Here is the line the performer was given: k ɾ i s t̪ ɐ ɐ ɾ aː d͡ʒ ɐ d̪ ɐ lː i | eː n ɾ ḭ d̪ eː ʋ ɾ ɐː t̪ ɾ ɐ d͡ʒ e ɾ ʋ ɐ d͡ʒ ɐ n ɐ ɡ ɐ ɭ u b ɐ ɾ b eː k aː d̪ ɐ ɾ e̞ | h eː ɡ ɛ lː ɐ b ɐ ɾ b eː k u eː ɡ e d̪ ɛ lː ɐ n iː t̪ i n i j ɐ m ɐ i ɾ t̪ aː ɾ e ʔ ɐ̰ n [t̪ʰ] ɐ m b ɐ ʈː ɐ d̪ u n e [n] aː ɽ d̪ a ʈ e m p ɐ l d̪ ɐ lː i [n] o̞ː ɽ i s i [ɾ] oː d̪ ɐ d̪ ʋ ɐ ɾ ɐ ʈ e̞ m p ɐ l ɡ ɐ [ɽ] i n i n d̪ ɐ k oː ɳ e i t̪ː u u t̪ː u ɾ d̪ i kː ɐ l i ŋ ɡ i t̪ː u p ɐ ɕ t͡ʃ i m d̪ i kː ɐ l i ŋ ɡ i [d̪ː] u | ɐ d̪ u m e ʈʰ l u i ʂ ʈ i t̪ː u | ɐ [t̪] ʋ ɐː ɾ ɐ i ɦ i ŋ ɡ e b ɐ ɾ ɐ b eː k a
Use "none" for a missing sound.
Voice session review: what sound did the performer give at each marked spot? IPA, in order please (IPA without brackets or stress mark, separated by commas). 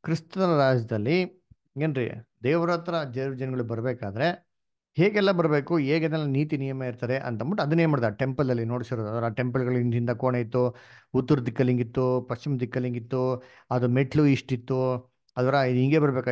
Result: t̪, m, n, ɾ, ɭ, t̪ː, d̪